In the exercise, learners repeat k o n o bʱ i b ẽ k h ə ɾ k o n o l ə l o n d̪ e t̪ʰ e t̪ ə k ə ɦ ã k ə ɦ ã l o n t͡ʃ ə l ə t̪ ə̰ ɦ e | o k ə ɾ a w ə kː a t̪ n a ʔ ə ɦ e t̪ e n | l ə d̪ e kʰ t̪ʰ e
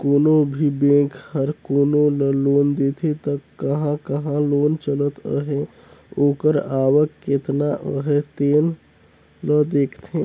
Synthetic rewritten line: k o n o bʱ i b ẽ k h ə ɾ k o n o l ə l o n d̪ e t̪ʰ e t̪ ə k ə ɦ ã k ə ɦ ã l o n t͡ʃ ə l ə t̪ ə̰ ɦ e | o k ə ɾ a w ə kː e t̪ n a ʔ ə ɦ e t̪ e n | l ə d̪ e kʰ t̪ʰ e